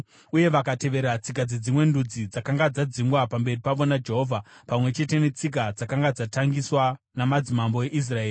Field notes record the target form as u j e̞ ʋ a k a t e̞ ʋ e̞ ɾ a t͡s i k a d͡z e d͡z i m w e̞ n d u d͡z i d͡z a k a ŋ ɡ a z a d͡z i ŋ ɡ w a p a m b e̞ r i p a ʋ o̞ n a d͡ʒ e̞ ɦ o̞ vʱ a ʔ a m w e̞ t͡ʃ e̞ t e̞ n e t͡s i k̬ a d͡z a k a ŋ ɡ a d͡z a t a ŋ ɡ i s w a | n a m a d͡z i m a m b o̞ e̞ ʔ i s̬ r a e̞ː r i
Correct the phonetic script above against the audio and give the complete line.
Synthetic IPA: u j e̞ ʋ a k a t e̞ ʋ e̞ ɾ a t͡s i k a d͡z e d͡z i m w e̞ n d u d͡z i d͡z a k a ŋ ɡ a d͡z a d͡z i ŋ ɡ w a p a m b e̞ r i p a ʋ o̞ n a d͡ʒ e̞ ɦ o̞ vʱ a p a m w e̞ t͡ʃ e̞ t e̞ n e t͡s i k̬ a d͡z a k a ŋ ɡ a d͡z a t a ŋ ɡ i s w a | n a m a d͡z i m a m b o̞ e̞ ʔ i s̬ r a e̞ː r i